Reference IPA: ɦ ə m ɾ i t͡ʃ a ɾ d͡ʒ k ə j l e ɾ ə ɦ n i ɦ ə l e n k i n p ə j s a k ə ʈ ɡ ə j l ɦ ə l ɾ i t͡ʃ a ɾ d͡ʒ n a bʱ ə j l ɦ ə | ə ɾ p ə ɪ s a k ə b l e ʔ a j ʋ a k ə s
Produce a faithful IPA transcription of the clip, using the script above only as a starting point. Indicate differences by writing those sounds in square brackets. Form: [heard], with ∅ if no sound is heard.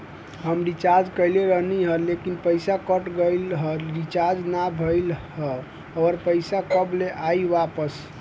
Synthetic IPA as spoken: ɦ ə m ɾ i t͡ʃ a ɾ d͡ʒ k ə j l e ɾ ə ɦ n i ɦ ə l e [∅] k i n p ə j s a k ə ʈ ɡ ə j l ɦ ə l ɾ i t͡ʃ a ɾ d͡ʒ n a bʱ ə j l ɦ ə | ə ɾ p ə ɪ s a k ə b l e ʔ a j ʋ a [p] ə s